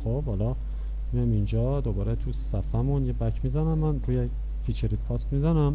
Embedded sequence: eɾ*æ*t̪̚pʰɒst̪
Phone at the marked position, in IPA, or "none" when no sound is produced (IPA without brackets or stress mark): i